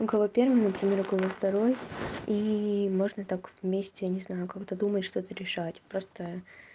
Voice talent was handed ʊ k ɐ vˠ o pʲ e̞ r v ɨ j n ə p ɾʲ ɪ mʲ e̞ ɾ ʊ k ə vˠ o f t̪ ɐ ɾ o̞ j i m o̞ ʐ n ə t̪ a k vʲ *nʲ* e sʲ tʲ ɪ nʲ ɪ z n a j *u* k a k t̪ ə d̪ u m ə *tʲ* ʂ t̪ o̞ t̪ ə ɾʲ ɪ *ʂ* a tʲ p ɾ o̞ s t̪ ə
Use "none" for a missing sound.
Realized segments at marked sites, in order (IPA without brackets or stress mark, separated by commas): mʲ, ʊ, tʲ, ʂ